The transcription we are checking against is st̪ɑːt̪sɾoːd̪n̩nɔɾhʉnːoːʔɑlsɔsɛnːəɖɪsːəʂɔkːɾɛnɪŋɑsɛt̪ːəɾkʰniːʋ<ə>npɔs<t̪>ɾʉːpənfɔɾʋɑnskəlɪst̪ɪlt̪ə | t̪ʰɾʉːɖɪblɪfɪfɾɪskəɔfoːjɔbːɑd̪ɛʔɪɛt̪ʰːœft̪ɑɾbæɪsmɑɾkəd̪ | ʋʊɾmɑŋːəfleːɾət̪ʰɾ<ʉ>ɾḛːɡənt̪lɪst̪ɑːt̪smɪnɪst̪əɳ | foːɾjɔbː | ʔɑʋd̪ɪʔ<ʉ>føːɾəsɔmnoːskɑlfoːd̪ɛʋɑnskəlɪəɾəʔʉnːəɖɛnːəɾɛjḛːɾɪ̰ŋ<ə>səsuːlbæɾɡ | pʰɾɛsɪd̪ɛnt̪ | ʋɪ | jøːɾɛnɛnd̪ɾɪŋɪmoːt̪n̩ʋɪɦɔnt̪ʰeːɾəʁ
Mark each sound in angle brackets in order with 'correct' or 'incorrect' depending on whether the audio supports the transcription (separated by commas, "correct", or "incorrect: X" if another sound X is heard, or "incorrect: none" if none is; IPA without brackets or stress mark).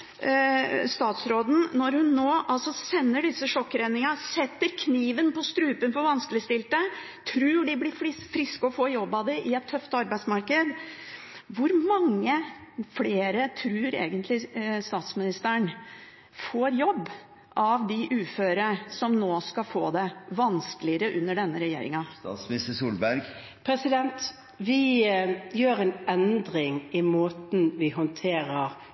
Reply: correct, correct, incorrect: ʉː, incorrect: ʉː, incorrect: ɑ